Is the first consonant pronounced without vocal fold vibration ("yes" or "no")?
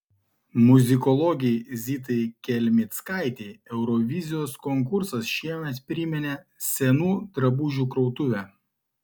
no